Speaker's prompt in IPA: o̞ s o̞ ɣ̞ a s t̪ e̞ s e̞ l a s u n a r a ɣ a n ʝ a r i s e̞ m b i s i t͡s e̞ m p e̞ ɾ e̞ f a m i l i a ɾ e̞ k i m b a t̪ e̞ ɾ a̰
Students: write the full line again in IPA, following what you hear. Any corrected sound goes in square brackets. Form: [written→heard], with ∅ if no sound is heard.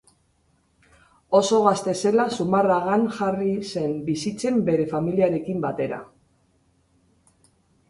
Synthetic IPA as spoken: o̞ s o̞ ɣ̞ a s t̪ e̞ s e̞ l a s u [n→m] a r a ɣ a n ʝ a r i s e̞ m b i s i t͡s e̞ m [p→b] e̞ ɾ e̞ f a m i l i a ɾ e̞ k i m b a t̪ e̞ ɾ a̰